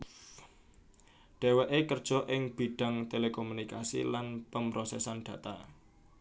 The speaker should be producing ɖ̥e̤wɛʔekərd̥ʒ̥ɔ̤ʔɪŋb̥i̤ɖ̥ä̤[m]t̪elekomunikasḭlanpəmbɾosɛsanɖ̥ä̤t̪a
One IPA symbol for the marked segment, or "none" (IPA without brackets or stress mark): ŋ